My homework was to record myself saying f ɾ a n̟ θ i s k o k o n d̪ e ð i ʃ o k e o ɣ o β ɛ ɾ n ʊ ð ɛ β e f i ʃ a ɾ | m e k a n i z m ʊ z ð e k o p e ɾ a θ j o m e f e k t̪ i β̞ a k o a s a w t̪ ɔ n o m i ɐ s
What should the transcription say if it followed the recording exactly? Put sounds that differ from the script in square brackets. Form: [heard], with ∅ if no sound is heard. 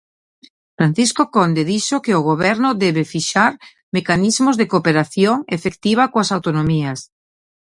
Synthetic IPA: f ɾ a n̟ θ i s k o k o n d̪ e ð i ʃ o k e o ɣ o β ɛ ɾ n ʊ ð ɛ β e f i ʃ a ɾ | m e k a n i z m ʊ z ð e k o p e ɾ a θ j o [ŋ] e f e k t̪ i β̞ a k o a s a w t̪ [o] n o m i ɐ s